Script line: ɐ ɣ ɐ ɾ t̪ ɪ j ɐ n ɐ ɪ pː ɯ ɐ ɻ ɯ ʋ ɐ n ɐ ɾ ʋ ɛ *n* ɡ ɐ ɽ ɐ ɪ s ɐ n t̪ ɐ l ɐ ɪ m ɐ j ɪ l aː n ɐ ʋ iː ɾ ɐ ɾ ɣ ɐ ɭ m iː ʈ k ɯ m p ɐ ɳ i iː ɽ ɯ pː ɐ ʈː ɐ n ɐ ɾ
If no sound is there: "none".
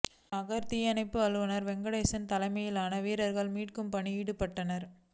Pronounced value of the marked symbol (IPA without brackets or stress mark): ŋ